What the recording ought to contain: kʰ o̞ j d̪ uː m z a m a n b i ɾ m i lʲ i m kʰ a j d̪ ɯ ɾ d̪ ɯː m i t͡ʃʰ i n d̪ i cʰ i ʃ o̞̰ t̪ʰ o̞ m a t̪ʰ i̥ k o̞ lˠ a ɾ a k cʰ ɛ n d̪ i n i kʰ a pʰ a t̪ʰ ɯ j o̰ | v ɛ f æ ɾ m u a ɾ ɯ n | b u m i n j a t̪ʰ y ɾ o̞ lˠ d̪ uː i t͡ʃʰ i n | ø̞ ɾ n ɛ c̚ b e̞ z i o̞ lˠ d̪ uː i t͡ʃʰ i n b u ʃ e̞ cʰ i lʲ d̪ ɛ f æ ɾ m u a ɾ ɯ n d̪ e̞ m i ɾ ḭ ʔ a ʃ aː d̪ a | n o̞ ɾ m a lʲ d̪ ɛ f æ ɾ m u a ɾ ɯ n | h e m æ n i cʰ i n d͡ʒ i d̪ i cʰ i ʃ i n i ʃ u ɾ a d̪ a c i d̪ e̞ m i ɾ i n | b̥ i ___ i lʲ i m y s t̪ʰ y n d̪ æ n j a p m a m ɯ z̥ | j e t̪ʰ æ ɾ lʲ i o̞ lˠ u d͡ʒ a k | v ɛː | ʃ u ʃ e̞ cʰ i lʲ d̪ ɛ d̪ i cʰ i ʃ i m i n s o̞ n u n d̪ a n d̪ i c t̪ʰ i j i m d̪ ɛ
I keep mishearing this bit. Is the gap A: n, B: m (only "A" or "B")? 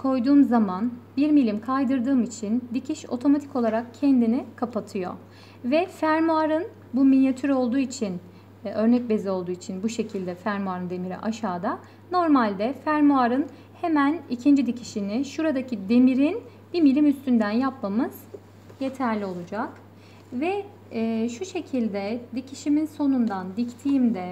B